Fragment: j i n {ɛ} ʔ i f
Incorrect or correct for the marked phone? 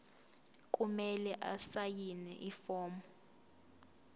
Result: correct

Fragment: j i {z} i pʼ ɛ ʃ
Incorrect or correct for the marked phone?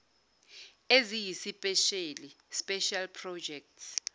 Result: incorrect: s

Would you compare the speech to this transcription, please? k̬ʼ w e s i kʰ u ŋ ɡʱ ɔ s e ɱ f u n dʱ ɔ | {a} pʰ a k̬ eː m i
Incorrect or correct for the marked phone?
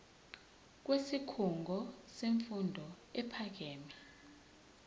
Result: incorrect: ɛ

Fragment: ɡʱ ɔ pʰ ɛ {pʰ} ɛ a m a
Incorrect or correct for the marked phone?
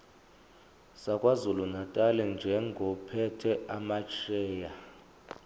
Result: incorrect: tʰ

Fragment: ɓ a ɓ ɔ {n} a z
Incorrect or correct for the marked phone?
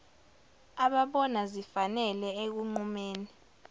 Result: correct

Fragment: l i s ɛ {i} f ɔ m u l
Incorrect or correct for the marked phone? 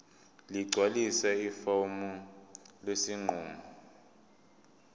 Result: correct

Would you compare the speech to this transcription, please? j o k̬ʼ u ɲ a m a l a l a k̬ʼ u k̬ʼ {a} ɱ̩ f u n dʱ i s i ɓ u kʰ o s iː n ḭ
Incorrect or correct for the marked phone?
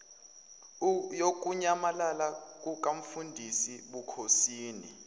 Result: correct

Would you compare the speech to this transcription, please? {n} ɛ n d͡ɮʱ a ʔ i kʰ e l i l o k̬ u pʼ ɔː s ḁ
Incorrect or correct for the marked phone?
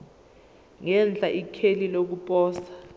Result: incorrect: ŋ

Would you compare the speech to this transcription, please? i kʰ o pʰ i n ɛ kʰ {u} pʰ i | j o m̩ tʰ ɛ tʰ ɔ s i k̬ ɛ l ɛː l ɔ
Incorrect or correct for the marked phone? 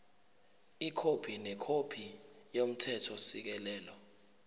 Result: incorrect: o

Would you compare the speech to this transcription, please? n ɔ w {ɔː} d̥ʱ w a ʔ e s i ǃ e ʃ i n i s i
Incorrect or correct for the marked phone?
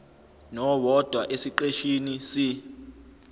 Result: incorrect: ɔ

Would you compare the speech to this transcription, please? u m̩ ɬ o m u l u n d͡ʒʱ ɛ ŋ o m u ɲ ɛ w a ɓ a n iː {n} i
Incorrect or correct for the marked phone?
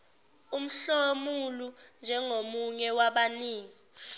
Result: incorrect: ŋ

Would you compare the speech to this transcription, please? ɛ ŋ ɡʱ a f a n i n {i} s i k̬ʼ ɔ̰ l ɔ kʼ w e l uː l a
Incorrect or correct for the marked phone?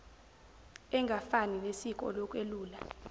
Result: incorrect: e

